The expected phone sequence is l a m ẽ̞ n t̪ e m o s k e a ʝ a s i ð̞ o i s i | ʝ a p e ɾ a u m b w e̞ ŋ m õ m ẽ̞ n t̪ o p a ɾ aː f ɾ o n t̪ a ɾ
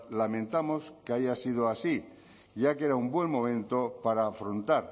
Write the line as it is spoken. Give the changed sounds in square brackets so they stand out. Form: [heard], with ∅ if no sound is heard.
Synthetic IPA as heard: l a m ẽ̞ n t̪ [a] m o s k e a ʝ a s i ð̞ o [a] s i | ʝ a [k] e ɾ a u m b w e̞ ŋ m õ m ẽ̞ n t̪ o p a ɾ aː f ɾ o n t̪ a ɾ